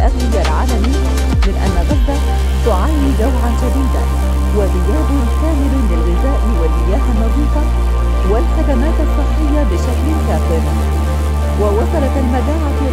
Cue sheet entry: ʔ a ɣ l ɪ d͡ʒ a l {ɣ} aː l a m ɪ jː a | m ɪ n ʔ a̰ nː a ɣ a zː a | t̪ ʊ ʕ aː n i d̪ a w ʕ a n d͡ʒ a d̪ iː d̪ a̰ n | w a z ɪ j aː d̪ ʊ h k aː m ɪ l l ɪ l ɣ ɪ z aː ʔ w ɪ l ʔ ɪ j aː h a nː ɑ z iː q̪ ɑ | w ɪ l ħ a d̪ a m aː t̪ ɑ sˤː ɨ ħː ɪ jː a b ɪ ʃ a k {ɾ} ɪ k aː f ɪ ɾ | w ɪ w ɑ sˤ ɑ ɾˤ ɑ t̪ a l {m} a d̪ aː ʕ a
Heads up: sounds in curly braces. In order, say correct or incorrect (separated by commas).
incorrect, incorrect, correct